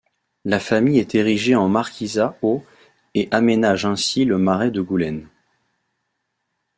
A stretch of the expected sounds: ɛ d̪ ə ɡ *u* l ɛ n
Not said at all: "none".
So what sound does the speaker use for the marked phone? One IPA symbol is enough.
u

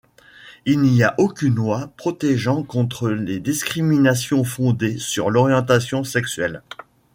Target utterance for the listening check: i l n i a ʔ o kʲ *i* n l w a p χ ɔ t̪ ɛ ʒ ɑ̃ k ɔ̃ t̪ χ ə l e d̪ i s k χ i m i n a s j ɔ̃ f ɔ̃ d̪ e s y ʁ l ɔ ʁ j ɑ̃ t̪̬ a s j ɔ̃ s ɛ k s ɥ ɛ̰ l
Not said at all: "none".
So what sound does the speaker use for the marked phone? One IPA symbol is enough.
y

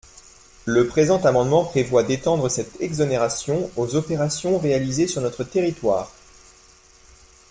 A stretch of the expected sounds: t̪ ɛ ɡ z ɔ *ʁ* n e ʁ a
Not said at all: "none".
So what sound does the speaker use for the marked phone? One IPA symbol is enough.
none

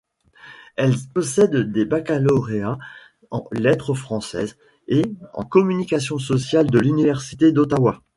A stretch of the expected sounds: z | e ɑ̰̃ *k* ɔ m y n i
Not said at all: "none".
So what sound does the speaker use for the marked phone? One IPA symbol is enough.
k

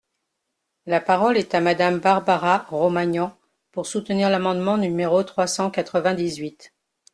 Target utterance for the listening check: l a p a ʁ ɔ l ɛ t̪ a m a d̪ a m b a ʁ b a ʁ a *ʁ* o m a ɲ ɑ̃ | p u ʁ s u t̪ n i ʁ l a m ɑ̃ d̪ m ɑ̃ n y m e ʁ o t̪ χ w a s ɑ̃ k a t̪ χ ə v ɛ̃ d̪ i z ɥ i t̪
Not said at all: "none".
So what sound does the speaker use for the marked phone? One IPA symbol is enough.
ʁ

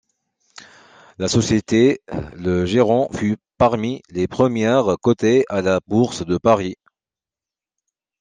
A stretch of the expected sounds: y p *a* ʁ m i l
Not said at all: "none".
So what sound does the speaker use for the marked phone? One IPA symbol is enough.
a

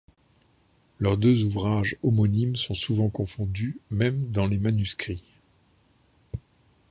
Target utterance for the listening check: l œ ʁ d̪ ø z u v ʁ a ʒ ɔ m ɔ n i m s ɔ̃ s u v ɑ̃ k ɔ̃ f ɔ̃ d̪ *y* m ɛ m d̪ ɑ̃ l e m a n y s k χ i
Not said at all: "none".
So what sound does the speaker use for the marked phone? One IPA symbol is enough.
y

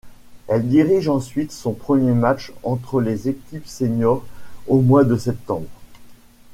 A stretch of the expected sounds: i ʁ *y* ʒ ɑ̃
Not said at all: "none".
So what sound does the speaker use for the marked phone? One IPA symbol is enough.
i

